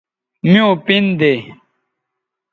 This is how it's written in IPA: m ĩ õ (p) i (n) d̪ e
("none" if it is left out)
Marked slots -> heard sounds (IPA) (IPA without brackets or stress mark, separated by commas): p, n